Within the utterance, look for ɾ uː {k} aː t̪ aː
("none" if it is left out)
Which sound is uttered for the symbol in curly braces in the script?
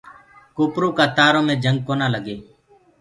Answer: k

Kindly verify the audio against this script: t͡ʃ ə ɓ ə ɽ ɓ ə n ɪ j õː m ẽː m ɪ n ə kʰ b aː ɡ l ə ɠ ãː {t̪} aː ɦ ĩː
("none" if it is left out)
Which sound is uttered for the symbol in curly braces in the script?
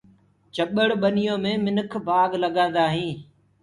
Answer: d̪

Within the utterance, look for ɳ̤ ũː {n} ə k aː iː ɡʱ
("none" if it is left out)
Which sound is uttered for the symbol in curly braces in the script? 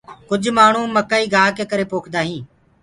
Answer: m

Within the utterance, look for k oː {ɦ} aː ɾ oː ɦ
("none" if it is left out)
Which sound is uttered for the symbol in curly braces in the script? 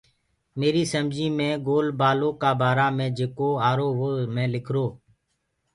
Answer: none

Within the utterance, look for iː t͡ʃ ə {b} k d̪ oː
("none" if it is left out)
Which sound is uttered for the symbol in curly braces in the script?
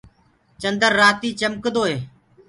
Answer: m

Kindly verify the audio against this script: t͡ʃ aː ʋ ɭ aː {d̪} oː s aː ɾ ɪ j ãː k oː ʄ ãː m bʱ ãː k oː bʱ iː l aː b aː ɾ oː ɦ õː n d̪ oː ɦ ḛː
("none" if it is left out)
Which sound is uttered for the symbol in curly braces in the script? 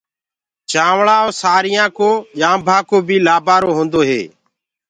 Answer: none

